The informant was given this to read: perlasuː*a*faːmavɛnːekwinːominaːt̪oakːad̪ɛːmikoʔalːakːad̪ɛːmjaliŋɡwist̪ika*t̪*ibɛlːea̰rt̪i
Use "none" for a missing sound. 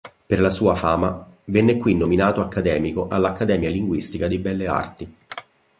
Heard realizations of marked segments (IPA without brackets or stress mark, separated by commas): a, d̪